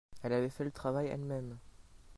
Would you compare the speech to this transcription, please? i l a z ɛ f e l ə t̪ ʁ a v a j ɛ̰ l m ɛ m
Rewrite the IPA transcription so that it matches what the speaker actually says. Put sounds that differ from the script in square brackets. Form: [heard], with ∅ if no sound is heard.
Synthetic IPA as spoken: [ɛ] l a [v] ɛ f [ɛ] l ə t̪ [χ] a v a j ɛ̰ l m ɛ m

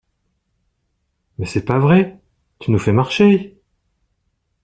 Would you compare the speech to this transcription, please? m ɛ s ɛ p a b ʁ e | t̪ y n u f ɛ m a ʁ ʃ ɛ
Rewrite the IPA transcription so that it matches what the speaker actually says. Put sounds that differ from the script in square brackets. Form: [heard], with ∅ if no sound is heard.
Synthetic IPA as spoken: m ɛ s ɛ p a [v] ʁ [ɛ] | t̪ y n u f ɛ m a ʁ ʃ [e]

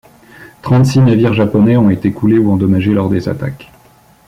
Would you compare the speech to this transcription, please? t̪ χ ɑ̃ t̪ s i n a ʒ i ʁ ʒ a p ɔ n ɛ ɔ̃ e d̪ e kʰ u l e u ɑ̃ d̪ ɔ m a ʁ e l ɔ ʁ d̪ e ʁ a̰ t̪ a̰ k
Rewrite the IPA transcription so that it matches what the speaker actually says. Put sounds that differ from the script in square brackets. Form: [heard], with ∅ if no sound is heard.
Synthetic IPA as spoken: t̪ χ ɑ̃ t̪ s i n a [v] i ʁ ʒ a p ɔ n ɛ ɔ̃ e [t̪] e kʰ u l e u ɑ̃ d̪ ɔ m a [ʒ] e l ɔ ʁ d̪ e [z] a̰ t̪ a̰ k

